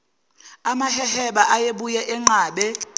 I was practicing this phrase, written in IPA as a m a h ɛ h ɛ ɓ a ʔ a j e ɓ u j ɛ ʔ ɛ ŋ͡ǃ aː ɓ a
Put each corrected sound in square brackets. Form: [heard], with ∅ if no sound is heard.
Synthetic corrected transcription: a m a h ɛ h ɛ ɓ a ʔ a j e ɓ u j ɛ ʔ ɛ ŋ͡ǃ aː ɓ [ɛ]